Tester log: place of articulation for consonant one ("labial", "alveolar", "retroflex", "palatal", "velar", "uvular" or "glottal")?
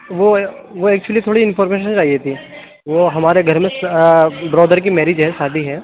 labial